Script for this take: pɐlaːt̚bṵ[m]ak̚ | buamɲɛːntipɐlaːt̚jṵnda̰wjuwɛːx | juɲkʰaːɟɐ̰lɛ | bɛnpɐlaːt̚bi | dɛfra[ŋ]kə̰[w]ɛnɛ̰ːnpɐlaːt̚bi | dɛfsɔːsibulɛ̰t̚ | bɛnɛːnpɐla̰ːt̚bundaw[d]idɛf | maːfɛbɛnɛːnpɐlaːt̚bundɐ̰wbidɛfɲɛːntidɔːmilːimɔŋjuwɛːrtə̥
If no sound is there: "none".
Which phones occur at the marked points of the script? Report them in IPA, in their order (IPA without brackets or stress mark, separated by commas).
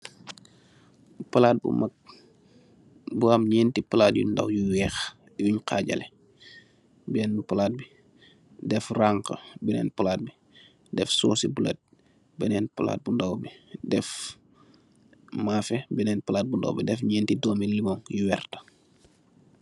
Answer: m, ŋ, b, b